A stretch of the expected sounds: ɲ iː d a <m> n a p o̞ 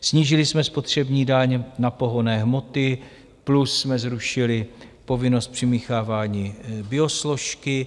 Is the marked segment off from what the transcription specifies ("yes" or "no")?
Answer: yes